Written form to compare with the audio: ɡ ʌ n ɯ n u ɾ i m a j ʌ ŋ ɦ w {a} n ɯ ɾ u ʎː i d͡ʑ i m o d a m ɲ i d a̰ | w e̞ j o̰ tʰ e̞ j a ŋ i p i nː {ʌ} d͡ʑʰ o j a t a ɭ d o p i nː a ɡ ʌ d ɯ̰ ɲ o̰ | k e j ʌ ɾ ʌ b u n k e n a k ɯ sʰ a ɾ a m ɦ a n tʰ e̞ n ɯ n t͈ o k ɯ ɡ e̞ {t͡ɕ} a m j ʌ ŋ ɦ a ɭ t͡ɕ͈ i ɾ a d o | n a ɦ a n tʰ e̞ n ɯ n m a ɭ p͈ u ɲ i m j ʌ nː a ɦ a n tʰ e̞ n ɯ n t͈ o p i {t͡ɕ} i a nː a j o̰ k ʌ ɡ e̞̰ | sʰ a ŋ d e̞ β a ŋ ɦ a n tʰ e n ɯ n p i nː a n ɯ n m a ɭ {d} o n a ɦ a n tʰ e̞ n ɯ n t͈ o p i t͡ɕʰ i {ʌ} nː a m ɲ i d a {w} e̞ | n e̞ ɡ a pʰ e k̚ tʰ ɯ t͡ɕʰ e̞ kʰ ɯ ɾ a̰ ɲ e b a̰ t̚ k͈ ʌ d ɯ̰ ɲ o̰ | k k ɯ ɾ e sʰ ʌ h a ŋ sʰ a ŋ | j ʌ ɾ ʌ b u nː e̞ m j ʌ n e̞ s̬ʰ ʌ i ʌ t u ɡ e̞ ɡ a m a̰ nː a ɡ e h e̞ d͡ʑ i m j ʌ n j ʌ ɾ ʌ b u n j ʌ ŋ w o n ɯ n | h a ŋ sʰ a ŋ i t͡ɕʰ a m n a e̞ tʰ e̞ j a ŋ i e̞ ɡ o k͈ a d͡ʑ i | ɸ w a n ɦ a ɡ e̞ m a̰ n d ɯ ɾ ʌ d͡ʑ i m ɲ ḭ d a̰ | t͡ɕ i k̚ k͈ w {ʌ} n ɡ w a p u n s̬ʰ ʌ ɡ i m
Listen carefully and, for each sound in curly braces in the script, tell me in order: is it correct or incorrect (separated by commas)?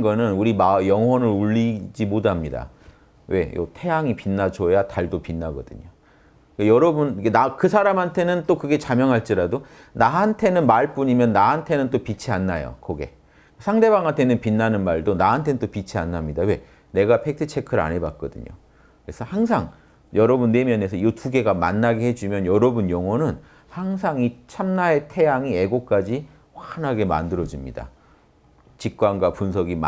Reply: incorrect, incorrect, correct, incorrect, correct, incorrect, correct, incorrect